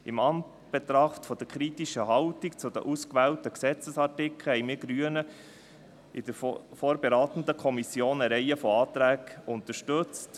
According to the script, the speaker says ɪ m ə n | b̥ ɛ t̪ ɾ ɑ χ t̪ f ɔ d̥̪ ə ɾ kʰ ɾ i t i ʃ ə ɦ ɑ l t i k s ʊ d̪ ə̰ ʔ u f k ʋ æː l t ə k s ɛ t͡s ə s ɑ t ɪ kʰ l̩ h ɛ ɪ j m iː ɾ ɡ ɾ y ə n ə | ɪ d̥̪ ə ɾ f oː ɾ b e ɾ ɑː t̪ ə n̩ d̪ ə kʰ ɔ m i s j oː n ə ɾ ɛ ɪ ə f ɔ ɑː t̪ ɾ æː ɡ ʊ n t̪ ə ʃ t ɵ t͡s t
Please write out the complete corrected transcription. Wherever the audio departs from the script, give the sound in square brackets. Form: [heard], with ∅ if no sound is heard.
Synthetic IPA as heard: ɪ m [ɑ] n | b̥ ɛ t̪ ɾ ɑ χ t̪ f ɔ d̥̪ ə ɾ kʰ ɾ i t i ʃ ə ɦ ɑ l t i k [t͡s] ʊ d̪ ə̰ ʔ u [s] k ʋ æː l t ə k s ɛ t͡s ə s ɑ t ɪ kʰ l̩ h ɛ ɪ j m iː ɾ ɡ ɾ y ə n ə | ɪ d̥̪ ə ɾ f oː ɾ b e ɾ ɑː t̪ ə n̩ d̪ ə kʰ ɔ m i s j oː n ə ɾ ɛ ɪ ə f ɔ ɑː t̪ ɾ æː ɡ ʊ n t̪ ə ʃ t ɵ t͡s t